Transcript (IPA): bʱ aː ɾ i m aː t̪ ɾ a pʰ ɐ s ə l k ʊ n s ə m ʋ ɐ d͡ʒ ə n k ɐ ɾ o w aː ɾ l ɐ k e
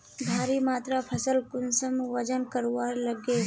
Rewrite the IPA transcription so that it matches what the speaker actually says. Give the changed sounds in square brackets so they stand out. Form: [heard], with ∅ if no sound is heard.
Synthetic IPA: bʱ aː ɾ i m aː t̪ ɾ a pʰ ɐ s ə l k ʊ n s ə m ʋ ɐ d͡ʒ ə n k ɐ ɾ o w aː ɾ l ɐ [ɡ] e